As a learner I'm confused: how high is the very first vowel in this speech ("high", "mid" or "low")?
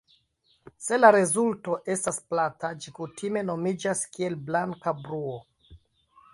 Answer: mid